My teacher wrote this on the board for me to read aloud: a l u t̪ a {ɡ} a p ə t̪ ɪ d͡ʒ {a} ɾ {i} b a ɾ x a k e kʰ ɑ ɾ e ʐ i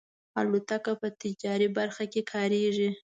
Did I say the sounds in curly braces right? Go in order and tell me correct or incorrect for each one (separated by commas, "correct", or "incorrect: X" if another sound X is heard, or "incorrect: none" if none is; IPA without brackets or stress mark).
incorrect: k, incorrect: ɑ, correct